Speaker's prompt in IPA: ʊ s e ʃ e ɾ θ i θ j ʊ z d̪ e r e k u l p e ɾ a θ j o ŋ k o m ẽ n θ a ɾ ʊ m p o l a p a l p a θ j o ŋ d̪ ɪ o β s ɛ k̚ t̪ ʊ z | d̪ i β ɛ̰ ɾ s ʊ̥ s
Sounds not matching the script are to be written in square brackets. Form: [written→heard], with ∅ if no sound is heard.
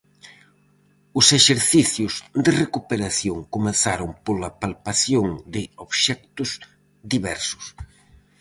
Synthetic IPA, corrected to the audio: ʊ s e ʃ e ɾ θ i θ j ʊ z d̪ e r e k u [l→∅] p e ɾ a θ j o ŋ k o m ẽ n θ a ɾ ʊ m p o l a p a l p a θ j o ŋ d̪ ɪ o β [s→ʃ] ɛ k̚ t̪ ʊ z | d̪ i β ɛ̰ ɾ s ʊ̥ s